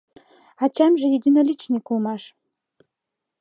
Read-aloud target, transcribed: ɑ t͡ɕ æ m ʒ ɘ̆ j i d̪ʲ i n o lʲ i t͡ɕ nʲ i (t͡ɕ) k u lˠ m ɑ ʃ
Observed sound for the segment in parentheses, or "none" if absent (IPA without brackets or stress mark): none